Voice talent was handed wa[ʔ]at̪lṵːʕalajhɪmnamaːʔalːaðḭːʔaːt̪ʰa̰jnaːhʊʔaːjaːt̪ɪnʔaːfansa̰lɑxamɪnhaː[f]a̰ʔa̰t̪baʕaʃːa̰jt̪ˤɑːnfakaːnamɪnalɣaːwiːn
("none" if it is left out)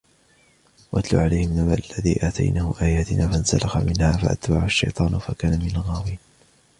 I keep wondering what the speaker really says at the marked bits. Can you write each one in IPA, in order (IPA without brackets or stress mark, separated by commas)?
ʔ, f